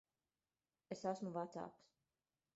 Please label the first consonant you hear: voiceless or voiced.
voiceless